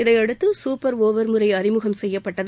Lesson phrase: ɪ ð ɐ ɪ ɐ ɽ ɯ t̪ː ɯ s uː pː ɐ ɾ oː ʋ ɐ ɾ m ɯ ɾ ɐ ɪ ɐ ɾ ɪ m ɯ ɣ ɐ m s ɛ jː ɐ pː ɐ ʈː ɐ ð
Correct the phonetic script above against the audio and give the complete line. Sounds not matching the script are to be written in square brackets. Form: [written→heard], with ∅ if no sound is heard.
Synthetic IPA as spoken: ɪ ð ɐ ɪ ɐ ɽ ɯ t̪ː ɯ s uː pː ɐ ɾ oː ʋ ɐ ɾ m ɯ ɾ ɐ ɪ ɐ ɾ ɪ m ɯ ɣ ɐ m s ɛ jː ɐ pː ɐ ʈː ɐ ð